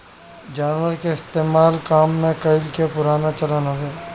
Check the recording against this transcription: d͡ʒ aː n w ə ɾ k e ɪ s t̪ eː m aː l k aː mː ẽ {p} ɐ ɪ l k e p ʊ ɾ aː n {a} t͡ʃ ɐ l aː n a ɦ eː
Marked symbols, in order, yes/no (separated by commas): no, yes